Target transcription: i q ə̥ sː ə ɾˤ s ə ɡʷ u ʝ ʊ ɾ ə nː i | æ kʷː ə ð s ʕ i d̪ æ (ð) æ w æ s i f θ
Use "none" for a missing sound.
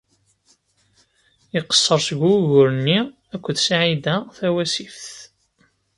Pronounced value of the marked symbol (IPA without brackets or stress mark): θ